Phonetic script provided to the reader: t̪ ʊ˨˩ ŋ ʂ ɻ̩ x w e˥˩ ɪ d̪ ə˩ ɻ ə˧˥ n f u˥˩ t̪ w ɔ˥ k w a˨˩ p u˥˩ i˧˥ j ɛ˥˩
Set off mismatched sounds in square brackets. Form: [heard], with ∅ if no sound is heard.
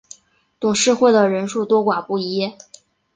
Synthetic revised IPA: t̪ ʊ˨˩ ŋ ʂ ɻ̩ x w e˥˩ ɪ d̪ ə˩ ɻ ə˧˥ n [ʂ] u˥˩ t̪ w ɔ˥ k w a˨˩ p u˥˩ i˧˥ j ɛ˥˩